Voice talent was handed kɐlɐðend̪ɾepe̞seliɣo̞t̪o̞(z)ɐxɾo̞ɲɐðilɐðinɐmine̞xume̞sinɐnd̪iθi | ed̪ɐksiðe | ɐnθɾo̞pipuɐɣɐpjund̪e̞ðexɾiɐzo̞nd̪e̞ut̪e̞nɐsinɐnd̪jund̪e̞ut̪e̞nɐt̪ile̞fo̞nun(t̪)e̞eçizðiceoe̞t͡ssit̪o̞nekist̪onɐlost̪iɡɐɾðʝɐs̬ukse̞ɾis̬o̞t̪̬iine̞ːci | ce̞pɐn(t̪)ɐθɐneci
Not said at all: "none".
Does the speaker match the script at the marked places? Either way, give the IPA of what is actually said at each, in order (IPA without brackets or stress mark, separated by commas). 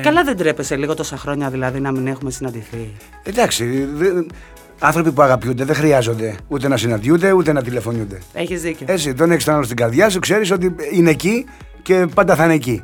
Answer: s, d̪, d̪